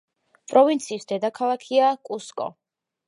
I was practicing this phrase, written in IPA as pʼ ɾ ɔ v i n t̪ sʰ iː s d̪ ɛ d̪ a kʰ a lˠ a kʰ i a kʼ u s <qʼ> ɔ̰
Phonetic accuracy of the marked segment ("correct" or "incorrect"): incorrect